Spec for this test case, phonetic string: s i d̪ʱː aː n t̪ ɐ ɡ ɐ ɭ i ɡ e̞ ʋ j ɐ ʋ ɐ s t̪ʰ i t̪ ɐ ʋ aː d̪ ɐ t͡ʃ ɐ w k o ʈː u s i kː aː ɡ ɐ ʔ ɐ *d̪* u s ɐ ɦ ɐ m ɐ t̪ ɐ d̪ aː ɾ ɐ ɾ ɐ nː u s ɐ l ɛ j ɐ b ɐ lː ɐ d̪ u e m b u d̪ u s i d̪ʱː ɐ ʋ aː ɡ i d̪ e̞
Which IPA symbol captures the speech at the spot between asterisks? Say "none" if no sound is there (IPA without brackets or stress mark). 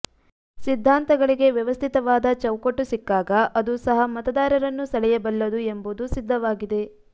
d̪